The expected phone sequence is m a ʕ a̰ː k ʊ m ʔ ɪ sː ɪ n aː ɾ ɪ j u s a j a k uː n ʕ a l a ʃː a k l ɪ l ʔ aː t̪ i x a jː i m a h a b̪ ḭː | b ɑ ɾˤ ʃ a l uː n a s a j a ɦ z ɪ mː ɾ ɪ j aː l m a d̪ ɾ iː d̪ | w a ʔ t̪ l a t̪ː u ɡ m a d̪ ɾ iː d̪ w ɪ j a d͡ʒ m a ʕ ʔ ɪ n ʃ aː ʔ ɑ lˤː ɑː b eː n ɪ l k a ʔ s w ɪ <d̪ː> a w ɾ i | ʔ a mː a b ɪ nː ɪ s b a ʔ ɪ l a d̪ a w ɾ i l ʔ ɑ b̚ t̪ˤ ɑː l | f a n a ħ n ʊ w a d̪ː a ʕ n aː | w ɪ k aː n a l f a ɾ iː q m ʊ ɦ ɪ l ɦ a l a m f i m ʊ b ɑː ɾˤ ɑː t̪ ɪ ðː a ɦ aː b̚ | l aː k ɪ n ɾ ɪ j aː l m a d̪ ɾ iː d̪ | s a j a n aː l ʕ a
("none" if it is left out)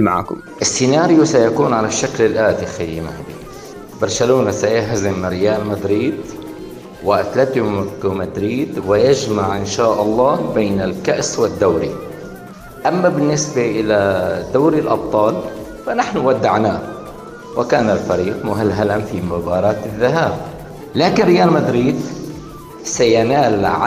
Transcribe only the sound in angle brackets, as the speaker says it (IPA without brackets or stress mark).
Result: d̪ː